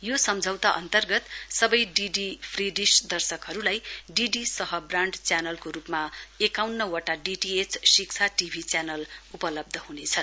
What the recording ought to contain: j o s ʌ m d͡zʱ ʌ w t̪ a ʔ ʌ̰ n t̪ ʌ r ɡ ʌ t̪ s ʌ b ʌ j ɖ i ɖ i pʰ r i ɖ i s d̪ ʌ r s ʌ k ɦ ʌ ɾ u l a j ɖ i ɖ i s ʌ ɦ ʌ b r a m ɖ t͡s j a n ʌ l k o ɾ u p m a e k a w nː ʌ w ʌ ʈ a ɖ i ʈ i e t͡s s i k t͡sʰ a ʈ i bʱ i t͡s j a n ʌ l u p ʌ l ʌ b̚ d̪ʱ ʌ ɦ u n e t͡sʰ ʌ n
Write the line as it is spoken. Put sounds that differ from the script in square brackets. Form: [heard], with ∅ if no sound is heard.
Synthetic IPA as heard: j o s ʌ m d͡zʱ ʌ w t̪ a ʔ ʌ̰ n t̪ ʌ r ɡ ʌ t̪ s ʌ b ʌ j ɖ i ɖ i pʰ r i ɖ i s d̪ ʌ r s ʌ k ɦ ʌ ɾ u l a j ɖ i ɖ i s ʌ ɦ ʌ b r a [ɳ] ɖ t͡s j a n ʌ l k o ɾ u p m a e k a w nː ʌ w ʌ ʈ a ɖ i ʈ i e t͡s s i k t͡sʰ a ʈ i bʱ i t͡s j a n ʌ l u p ʌ l ʌ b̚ d̪ʱ ʌ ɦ u n e t͡sʰ ʌ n

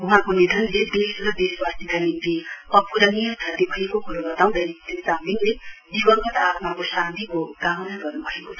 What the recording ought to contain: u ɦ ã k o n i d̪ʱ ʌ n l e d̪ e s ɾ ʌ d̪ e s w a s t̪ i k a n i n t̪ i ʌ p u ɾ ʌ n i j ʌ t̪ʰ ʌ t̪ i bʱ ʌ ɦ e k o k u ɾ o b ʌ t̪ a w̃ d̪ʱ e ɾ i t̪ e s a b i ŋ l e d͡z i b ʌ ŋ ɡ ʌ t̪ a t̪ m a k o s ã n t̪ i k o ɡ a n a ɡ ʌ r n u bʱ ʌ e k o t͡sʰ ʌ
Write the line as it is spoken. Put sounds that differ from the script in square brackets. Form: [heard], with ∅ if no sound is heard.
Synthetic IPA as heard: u ɦ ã k o n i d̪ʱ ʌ n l e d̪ e s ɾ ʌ d̪ e s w a s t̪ i k a n i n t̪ i ʌ p u ɾ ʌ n i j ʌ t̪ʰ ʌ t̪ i bʱ ʌ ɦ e k o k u ɾ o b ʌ t̪ a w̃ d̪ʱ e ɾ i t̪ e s a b i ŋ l e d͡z i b ʌ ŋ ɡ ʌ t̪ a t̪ m a k o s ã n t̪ i k o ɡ a n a ɡ ʌ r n u bʱ ʌ e k o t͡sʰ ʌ

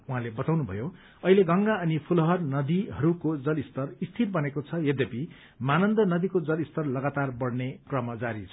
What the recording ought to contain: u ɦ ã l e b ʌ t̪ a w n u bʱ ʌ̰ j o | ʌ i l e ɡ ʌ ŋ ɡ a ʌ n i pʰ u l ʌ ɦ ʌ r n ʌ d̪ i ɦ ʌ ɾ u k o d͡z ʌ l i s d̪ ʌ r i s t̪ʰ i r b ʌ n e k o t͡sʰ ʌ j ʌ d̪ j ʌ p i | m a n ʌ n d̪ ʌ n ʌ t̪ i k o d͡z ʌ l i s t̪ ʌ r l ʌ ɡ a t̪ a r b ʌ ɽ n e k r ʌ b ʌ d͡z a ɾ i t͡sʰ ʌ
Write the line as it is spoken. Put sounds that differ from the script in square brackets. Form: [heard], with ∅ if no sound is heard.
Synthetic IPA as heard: u ɦ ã l e b ʌ t̪ a w n u bʱ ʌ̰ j o | ʌ i l e ɡ ʌ ŋ ɡ a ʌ n i pʰ u l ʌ ɦ ʌ r n ʌ d̪ i ɦ ʌ ɾ u k o d͡z ʌ l i s [t̪] ʌ r i s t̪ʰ i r b ʌ n e k o t͡sʰ ʌ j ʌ d̪ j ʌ p i | m a n ʌ n d̪ ʌ n ʌ [d̪] i k o d͡z ʌ l i s t̪ ʌ r l ʌ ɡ a t̪ a r b ʌ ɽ n e k r ʌ [m] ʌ d͡z a ɾ i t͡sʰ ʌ

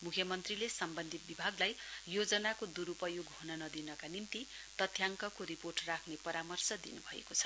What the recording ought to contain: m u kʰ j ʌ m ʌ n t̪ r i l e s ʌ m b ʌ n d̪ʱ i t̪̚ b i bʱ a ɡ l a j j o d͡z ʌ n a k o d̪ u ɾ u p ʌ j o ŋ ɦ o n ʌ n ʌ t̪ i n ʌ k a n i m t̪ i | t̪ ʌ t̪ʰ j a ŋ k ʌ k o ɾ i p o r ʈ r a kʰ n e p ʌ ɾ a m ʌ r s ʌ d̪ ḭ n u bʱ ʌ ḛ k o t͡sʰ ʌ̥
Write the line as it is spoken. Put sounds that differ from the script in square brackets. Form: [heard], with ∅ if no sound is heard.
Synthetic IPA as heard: m u kʰ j ʌ m ʌ n t̪ r i l e s ʌ m b ʌ n d̪ʱ i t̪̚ b i bʱ a ɡ l a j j o d͡z ʌ n a k o d̪ u ɾ u p ʌ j o [ɡ] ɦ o n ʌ n ʌ [d̪] i n ʌ k a n i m t̪ i | t̪ ʌ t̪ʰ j a ŋ k ʌ k o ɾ i p o r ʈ r a kʰ n e p ʌ ɾ a m ʌ r s ʌ d̪ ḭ n u bʱ ʌ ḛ k o t͡sʰ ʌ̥

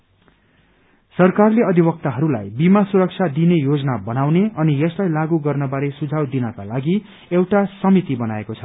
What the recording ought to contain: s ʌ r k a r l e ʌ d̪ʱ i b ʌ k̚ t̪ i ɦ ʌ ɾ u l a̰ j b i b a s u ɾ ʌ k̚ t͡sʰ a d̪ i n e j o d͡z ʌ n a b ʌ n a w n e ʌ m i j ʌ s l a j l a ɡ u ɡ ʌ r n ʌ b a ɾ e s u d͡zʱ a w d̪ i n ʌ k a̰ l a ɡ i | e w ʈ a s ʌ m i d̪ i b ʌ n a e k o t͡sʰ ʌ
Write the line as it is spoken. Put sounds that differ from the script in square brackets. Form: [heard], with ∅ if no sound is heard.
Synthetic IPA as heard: s ʌ r k a r l e ʌ d̪ʱ i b ʌ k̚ t̪ [a] ɦ ʌ ɾ u l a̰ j b i [m] a s u ɾ ʌ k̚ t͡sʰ a d̪ i n e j o d͡z ʌ n a b ʌ n a w n e ʌ [n] i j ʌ s l a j l a ɡ u ɡ ʌ r n ʌ b a ɾ e s u d͡zʱ a w d̪ i n ʌ k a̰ l a ɡ i | e w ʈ a s ʌ m i [t̪] i b ʌ n a e k o t͡sʰ ʌ

